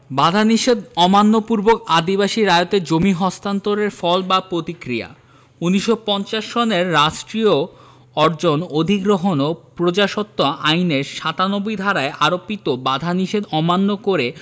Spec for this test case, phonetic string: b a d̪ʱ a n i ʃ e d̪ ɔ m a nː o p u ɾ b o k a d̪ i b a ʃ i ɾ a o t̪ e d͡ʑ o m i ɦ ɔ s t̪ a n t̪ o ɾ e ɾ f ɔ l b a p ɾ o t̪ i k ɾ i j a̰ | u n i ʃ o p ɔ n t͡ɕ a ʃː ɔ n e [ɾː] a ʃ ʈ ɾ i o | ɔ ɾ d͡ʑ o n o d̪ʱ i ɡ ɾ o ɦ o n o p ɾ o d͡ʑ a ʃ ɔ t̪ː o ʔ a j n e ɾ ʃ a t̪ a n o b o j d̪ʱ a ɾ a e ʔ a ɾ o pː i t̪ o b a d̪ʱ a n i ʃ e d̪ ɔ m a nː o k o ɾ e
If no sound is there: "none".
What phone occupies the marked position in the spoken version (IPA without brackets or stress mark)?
ɾː